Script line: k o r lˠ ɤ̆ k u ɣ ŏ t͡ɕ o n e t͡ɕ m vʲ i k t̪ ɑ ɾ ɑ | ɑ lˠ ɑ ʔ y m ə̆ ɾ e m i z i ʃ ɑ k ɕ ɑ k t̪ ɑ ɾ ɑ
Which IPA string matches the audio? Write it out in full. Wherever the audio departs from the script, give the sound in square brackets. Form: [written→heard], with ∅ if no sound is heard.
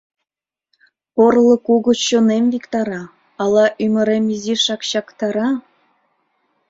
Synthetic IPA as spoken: [k→p] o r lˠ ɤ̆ k u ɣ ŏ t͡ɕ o n e [t͡ɕ→∅] m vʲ i k t̪ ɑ ɾ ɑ | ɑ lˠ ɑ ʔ y m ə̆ ɾ e m i z i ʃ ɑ k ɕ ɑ k t̪ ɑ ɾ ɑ